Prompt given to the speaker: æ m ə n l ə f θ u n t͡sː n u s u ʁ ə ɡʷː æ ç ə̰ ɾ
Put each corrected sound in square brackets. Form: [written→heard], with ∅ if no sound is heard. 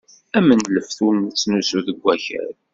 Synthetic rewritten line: æ m ə n l ə f θ u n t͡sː n u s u [ʁ→ð] ə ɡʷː æ ç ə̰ ɾ